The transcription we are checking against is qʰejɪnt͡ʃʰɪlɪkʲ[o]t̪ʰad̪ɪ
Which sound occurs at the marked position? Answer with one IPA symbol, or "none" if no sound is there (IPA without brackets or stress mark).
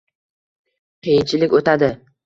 o